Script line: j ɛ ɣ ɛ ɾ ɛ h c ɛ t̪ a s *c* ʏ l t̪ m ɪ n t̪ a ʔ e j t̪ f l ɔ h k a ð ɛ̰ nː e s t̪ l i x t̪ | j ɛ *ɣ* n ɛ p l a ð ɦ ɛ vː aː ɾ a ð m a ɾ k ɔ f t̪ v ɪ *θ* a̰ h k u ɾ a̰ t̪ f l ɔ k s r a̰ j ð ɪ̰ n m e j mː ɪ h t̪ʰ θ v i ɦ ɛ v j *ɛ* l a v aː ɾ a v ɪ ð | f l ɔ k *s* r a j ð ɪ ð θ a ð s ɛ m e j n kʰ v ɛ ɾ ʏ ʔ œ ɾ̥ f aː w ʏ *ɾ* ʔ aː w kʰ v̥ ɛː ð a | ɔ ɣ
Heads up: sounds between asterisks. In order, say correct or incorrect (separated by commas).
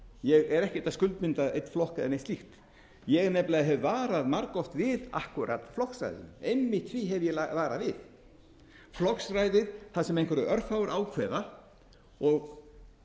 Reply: incorrect, correct, incorrect, correct, correct, correct